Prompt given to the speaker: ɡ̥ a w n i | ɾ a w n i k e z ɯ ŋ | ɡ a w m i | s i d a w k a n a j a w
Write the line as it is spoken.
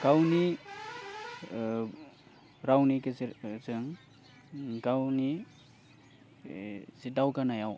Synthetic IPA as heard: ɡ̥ a w n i | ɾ a w n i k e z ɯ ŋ | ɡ a w n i | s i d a w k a n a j a w